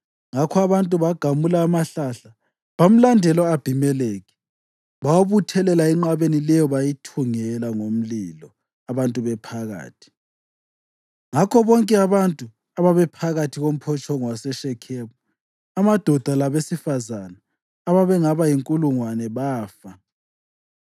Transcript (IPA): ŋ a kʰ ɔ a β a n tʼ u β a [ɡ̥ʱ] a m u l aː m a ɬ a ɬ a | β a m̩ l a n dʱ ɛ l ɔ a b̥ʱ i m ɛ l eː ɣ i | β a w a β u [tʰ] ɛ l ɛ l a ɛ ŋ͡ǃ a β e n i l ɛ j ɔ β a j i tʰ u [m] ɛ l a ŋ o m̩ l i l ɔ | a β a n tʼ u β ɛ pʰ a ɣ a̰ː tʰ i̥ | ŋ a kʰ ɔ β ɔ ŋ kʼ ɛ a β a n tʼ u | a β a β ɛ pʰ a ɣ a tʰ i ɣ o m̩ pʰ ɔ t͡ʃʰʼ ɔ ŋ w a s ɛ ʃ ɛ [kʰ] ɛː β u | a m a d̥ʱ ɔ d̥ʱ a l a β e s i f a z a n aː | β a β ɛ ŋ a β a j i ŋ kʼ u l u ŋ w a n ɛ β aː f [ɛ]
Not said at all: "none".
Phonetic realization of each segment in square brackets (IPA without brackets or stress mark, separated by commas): ɡ̥ʱ, tʰ, ŋ, kʰ, a